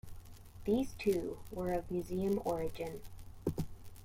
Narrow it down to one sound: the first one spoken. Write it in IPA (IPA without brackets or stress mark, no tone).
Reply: ð